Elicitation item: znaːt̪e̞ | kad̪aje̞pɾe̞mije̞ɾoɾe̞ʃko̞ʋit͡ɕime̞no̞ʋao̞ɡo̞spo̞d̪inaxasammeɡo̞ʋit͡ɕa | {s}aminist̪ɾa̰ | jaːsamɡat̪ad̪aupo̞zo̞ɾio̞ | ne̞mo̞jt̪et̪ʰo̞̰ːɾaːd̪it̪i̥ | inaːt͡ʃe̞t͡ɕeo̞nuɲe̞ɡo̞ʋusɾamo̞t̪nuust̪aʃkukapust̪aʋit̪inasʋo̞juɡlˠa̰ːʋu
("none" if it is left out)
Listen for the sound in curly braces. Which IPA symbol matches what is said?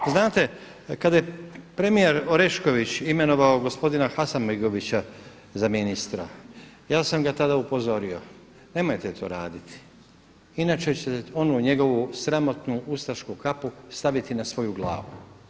z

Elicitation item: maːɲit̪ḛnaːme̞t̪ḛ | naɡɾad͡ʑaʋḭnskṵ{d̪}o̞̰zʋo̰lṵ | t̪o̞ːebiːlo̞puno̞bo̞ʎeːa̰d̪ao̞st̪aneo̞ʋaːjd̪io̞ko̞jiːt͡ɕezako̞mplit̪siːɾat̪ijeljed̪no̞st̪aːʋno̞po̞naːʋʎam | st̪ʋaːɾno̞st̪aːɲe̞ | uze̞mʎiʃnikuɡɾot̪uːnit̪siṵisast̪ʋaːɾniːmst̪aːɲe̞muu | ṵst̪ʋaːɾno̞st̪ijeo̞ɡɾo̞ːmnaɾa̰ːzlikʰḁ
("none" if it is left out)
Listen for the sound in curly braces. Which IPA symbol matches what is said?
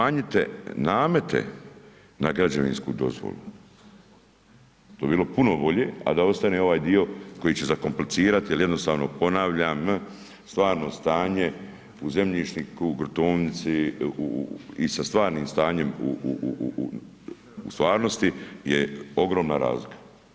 d̪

